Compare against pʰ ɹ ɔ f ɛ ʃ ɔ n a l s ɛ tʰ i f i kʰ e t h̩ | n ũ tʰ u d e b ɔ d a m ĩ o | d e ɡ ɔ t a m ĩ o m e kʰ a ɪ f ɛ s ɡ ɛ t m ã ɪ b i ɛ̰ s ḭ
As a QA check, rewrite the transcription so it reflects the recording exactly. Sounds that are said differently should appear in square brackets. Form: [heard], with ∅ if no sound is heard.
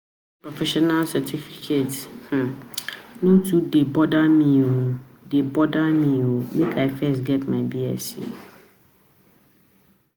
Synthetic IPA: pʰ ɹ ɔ f ɛ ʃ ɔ n a l s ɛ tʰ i f i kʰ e t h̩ | n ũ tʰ u d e b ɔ d a m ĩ o | d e [b] ɔ [d] a m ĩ o m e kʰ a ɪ f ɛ s ɡ ɛ t m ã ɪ b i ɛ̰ s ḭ